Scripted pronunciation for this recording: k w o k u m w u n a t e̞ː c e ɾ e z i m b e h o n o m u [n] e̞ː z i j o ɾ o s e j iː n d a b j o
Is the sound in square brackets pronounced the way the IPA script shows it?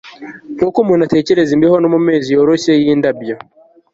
no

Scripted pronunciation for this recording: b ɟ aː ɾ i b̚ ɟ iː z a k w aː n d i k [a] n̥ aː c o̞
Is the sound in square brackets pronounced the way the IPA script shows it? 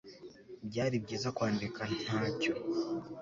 yes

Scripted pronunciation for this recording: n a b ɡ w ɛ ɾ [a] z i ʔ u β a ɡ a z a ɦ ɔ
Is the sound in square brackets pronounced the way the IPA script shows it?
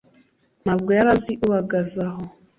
yes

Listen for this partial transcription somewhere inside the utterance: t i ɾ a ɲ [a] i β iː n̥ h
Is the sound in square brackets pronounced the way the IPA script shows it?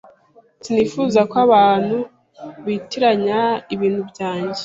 yes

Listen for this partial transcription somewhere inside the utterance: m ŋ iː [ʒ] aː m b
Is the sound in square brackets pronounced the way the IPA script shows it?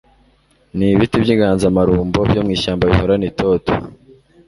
no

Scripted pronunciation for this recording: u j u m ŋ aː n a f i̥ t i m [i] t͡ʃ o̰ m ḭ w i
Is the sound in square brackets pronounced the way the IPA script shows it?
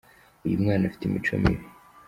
yes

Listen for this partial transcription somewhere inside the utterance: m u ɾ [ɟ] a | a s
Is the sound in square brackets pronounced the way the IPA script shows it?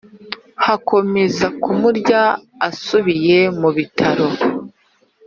yes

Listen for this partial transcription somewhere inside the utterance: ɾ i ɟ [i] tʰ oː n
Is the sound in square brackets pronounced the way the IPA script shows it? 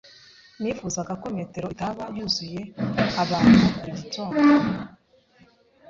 yes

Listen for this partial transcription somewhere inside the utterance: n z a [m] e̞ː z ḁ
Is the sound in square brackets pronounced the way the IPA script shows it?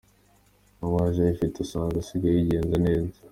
no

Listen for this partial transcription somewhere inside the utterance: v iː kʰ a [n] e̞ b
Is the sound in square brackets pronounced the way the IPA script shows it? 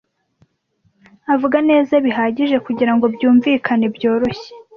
yes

